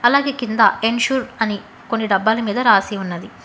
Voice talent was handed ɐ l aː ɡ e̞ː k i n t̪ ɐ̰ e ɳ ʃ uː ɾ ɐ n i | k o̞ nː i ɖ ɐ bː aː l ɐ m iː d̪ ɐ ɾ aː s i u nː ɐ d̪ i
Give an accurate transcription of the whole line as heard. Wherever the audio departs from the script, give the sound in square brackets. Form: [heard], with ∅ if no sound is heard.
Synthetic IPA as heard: ɐ l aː ɡ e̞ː k i n [d̪] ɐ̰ e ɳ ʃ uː ɾ ɐ n i | k o̞ nː i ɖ ɐ bː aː l ɐ m iː d̪ ɐ ɾ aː s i u nː ɐ d̪ i